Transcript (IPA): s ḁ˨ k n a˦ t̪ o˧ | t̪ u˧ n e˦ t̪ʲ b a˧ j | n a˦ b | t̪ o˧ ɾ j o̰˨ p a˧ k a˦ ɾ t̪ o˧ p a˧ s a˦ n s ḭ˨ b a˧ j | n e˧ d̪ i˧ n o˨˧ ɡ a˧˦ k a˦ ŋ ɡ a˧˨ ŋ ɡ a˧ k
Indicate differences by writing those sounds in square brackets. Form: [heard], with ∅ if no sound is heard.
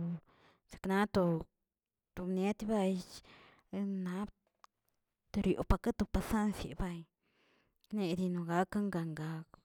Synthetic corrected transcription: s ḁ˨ k n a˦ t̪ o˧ | t̪ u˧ n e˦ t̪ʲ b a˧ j | n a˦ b | t̪ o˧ ɾ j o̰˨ p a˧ k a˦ [∅] t̪ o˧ p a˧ s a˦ n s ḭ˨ b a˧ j | n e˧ d̪ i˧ n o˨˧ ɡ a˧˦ k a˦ ŋ ɡ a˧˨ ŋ ɡ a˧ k

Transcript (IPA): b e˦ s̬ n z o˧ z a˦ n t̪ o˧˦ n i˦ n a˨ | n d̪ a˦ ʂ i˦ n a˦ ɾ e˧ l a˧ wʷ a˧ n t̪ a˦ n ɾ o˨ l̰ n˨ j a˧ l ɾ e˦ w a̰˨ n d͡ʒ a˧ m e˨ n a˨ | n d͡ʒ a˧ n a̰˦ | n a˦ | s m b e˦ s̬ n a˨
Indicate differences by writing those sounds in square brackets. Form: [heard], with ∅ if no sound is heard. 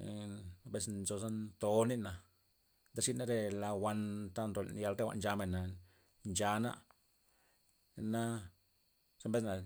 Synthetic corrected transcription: b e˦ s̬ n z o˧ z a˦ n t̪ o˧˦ n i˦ n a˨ | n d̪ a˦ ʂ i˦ n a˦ ɾ e˧ l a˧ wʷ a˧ n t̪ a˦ n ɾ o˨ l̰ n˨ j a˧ l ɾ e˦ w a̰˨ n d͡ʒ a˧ m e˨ n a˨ | n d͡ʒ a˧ n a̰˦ | n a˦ | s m b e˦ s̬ n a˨

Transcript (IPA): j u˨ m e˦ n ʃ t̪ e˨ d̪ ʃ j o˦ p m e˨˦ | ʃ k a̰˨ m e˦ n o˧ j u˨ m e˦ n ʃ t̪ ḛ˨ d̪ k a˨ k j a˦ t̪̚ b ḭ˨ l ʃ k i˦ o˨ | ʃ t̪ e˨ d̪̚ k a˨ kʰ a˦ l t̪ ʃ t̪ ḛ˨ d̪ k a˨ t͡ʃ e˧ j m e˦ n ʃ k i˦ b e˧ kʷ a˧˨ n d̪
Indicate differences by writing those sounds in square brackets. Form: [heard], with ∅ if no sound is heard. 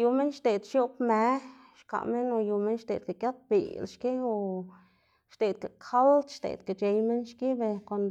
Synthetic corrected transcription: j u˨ m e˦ n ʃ t̪ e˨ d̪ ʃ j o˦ p m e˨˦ | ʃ k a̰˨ m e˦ n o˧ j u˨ m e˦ n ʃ t̪ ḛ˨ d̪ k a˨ k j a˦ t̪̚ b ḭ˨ l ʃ k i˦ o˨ | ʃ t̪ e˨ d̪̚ k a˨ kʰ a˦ l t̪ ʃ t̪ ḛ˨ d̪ k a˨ t͡ʃ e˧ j m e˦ n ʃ k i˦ b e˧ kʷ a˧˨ n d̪

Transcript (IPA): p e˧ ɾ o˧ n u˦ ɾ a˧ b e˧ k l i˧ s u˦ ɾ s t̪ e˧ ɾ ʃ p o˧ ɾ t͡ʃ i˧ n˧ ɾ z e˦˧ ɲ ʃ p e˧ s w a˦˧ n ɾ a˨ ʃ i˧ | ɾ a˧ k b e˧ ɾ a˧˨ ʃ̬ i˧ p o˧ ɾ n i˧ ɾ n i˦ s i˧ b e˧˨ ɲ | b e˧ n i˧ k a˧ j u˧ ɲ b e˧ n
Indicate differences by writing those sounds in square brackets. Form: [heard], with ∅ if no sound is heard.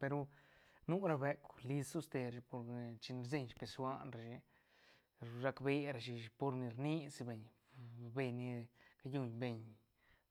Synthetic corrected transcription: p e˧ ɾ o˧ n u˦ ɾ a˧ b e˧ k l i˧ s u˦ [∅] s t̪ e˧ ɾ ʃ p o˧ ɾ t͡ʃ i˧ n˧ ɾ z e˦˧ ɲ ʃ p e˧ s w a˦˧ n ɾ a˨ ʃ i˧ | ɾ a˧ k b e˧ ɾ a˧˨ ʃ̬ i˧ p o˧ ɾ n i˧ ɾ n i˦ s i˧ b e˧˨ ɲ | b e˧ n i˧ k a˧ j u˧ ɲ b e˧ [ɲ]

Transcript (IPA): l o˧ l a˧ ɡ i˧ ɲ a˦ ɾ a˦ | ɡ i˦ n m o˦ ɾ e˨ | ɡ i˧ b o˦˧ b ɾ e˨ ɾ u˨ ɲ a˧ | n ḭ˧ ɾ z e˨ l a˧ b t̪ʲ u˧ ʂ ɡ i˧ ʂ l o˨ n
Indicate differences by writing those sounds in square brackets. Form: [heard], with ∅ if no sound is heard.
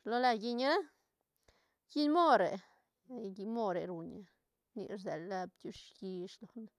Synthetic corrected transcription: l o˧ l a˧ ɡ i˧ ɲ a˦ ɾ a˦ | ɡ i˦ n m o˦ ɾ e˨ | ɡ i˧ [m] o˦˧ [∅] ɾ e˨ ɾ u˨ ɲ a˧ | n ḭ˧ ɾ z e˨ l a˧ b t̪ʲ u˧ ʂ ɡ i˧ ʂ l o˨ n

